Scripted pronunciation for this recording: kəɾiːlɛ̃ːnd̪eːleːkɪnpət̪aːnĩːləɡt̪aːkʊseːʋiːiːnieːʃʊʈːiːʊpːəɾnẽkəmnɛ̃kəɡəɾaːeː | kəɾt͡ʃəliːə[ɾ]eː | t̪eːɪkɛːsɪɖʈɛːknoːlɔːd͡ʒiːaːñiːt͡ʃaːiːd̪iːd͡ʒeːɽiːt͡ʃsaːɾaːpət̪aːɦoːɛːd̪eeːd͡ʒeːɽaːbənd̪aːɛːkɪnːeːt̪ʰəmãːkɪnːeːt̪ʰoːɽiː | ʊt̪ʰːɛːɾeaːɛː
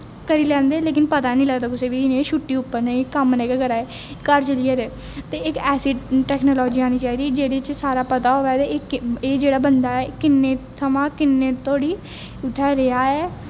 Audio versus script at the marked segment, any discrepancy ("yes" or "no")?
no